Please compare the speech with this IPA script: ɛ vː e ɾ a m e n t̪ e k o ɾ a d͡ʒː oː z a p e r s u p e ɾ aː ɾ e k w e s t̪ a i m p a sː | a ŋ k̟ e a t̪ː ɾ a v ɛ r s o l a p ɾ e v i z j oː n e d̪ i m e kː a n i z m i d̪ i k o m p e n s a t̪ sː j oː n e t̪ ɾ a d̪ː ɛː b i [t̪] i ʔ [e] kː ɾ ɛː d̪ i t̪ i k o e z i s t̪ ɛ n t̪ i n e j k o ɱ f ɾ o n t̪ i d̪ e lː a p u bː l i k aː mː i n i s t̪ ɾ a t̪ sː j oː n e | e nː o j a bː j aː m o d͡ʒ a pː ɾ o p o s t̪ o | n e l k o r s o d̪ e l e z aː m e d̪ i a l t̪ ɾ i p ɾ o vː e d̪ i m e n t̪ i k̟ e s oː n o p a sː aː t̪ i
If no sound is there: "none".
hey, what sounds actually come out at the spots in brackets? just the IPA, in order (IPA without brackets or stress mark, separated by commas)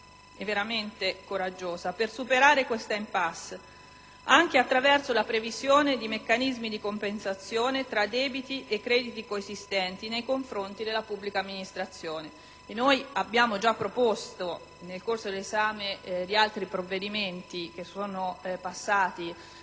t̪, e